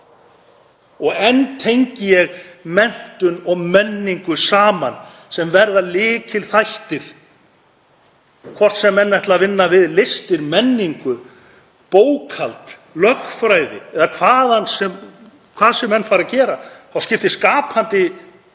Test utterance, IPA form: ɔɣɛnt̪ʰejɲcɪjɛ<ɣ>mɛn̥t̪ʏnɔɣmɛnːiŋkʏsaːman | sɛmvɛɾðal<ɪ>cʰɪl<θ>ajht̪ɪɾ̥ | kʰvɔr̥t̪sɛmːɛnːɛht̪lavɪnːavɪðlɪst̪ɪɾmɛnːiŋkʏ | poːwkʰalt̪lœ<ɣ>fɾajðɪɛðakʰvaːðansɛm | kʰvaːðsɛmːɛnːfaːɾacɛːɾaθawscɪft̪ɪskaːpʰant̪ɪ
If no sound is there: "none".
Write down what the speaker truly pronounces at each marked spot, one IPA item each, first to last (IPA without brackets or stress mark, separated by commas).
ɣ, ɪː, θ, x